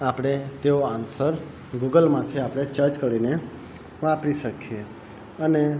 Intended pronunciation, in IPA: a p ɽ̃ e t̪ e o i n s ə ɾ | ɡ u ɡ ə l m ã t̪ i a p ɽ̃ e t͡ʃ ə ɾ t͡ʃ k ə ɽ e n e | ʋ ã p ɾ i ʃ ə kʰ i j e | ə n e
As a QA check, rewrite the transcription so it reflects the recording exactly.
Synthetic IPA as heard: a p ɽ̃ e t̪ e o a n s ə ɾ | ɡ u ɡ ə l m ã t̪ʰ i a p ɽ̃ e t͡ʃ ə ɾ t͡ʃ k ə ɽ i n e | ʋ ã p ɾ i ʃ ə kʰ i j e | ə n e